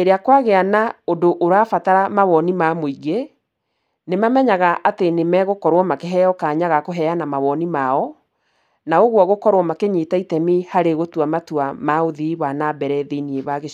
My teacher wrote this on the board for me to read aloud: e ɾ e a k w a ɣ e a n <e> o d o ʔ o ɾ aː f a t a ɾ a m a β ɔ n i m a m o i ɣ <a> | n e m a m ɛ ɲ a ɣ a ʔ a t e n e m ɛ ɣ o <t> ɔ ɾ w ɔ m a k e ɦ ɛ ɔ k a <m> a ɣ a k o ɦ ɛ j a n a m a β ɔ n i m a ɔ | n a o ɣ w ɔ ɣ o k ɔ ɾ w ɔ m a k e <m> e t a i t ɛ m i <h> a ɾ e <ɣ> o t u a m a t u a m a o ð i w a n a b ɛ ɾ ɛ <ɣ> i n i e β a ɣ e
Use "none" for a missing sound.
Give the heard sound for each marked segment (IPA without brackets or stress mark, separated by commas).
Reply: a, e, k, ɲ, ɲ, h, ɣ, ð